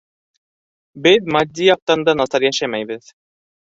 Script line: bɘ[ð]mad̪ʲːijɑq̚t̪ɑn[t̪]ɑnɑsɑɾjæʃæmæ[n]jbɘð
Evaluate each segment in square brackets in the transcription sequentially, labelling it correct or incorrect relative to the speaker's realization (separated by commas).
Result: correct, incorrect, incorrect